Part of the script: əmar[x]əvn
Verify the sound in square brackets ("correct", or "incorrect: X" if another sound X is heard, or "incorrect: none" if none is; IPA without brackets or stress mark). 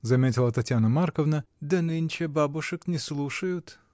incorrect: k